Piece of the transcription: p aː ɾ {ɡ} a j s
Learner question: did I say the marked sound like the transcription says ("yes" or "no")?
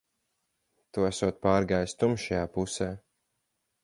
yes